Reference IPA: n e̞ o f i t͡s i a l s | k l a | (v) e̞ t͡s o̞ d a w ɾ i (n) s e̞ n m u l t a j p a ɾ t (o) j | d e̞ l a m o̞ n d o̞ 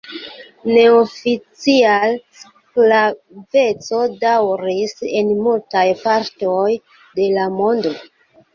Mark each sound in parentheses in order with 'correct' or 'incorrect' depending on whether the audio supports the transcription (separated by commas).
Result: correct, incorrect, correct